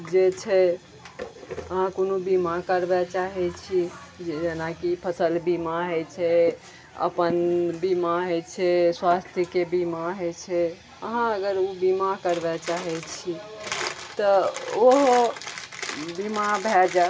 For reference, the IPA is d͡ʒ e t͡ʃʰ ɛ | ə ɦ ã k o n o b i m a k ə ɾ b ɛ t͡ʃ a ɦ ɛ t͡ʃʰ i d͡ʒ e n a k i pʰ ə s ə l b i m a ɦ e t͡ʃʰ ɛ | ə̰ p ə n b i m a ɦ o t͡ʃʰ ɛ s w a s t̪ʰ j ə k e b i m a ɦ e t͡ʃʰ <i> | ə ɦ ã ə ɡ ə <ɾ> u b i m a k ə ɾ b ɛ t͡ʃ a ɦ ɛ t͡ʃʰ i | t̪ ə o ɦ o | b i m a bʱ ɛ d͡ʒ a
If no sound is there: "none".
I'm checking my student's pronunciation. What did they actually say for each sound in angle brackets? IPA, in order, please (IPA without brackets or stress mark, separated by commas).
ɛ, ɾ